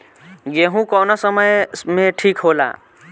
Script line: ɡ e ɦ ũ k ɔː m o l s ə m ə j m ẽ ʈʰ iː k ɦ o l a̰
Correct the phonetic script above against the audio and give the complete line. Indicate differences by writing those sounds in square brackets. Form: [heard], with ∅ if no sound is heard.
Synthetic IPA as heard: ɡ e ɦ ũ k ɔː [n] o [∅] s ə m ə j m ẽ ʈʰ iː k ɦ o l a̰